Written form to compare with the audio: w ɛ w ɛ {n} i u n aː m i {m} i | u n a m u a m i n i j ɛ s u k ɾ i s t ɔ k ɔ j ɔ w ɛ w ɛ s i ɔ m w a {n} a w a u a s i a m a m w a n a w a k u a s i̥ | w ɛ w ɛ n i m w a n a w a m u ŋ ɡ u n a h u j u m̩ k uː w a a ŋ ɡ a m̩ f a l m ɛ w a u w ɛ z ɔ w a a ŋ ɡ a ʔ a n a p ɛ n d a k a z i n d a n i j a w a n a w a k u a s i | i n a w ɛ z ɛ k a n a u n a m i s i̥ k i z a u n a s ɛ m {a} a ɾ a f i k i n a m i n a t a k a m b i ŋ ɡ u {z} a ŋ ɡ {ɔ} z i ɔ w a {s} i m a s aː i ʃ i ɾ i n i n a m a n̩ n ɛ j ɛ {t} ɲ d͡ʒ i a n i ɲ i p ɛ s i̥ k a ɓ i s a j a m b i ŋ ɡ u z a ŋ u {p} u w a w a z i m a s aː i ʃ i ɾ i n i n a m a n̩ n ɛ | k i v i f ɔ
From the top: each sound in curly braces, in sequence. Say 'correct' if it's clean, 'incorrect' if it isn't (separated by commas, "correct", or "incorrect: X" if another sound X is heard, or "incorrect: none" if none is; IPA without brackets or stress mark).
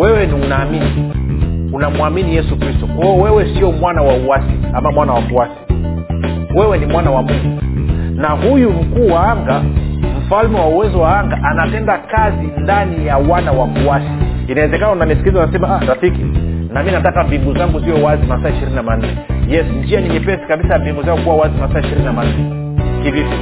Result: correct, incorrect: n, correct, correct, correct, incorrect: u, incorrect: z, incorrect: s, incorrect: k